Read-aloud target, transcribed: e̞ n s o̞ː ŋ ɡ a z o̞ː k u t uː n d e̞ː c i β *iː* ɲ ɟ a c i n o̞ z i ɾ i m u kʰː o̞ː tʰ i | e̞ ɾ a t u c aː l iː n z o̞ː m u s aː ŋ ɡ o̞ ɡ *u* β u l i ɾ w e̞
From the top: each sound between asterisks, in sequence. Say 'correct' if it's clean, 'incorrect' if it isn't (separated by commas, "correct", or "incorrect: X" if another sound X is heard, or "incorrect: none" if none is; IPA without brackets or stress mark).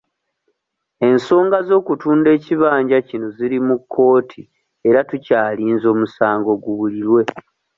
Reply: incorrect: aː, correct